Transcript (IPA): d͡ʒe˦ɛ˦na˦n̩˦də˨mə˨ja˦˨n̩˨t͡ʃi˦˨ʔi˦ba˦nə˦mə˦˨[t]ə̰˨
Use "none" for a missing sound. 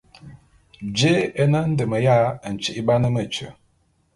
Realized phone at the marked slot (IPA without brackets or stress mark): t͡ʃ